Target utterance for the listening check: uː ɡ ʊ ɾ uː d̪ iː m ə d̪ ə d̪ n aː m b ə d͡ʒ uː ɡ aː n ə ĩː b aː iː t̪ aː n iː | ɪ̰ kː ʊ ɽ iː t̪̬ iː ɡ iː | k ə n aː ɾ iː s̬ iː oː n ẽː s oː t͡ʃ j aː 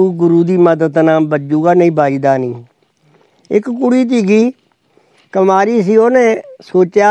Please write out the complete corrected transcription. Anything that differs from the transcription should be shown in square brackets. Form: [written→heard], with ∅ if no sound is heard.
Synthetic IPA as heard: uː ɡ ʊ ɾ uː d̪ iː m ə d̪ ə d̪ n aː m b ə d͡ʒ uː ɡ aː n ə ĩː b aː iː [t̪→d̪] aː n iː | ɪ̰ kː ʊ ɽ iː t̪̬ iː ɡ iː | k ə [n→m] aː ɾ iː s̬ iː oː n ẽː s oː t͡ʃ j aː